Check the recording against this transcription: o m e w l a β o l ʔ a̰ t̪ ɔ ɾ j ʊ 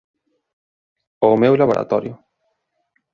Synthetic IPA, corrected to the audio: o m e w l a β o ɾ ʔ a̰ t̪ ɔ ɾ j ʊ

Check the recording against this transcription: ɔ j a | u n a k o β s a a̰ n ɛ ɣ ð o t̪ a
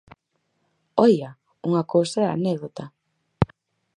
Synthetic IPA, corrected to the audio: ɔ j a | u ŋ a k o w s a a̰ n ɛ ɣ ð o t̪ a

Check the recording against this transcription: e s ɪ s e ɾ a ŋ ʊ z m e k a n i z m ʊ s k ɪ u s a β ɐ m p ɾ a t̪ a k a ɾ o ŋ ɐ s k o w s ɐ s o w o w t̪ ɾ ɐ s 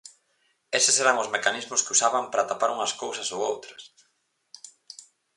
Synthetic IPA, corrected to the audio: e s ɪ s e ɾ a ŋ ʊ z m e k a n i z m ʊ s k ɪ u s a β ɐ m p ɾ a t̪ a p a ɾ u ŋ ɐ s k o w s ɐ s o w o w t̪ ɾ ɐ s

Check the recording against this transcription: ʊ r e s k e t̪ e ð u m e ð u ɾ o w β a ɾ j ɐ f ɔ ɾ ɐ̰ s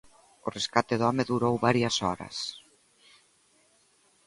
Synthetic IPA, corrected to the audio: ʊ r e s k a t̪ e ð ɔ m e ð u ɾ o w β a ɾ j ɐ s ɔ ɾ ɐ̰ s

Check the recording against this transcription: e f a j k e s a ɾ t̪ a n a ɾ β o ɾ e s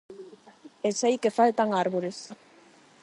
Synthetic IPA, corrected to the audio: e s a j k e f a l t̪ a ŋ a ɾ β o ɾ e s

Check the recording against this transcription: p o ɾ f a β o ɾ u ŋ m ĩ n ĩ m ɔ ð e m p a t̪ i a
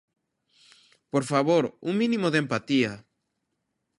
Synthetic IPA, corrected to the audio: p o ɾ f a β o ɾ u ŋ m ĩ n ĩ m o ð e m p a t̪ i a

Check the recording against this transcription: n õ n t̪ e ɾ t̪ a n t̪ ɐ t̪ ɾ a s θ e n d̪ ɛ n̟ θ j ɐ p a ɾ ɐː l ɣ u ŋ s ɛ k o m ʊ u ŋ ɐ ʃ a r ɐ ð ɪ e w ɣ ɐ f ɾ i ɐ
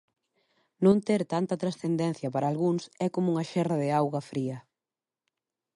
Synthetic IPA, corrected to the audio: n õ n t̪ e ɾ t̪ a n t̪ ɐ t̪ ɾ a s θ e n d̪ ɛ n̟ θ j ɐ p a ɾ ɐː l ɣ u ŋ s ɛ k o m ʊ u ŋ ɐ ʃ ɛ r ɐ ð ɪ a w ɣ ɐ f ɾ i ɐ

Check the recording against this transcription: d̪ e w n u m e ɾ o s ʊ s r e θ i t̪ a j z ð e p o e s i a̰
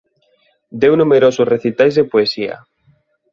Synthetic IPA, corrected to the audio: d̪ e w n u m e ɾ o s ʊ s r e θ i t̪ a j z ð e p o e s i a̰

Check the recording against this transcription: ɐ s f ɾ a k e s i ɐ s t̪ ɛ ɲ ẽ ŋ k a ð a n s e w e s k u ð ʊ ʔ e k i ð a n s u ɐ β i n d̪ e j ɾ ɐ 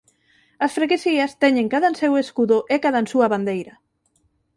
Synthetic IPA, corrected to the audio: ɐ s f ɾ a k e s i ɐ s t̪ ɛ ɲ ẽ ŋ k a ð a n s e w e s k u ð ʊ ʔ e k a ð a n s u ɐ β a n d̪ e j ɾ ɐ

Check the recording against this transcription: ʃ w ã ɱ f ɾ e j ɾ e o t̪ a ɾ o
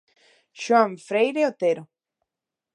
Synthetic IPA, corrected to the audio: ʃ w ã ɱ f ɾ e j ɾ e o t̪ e ɾ o

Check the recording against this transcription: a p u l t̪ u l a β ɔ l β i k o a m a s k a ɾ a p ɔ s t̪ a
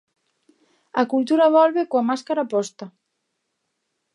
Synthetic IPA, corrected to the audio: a k u l t̪ u ɾ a β ɔ l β e k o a m a s k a ɾ a p ɔ s t̪ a

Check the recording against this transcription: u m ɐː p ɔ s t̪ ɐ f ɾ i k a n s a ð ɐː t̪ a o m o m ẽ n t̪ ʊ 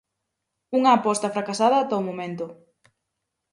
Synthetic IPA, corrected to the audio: u ŋ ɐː p ɔ s t̪ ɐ f ɾ a k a s a ð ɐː t̪ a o m o m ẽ n t̪ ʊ

